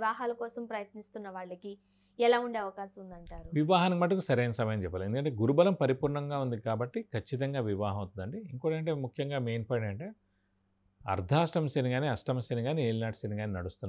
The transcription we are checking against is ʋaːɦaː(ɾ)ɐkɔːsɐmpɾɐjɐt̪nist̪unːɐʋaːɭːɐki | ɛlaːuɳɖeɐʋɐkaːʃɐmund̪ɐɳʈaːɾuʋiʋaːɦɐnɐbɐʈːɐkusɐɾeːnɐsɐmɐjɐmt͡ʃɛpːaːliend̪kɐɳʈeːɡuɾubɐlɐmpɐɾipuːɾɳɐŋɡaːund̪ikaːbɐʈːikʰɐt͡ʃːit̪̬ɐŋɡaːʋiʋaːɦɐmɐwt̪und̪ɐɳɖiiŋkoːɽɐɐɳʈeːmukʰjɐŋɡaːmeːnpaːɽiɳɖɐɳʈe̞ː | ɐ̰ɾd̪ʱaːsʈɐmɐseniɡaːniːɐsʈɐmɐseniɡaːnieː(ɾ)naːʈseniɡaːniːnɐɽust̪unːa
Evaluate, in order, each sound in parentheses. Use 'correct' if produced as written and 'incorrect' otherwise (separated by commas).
incorrect, incorrect